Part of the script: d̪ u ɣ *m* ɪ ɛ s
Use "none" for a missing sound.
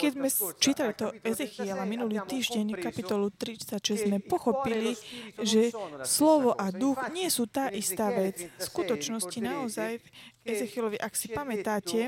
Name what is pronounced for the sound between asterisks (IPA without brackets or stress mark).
ɲ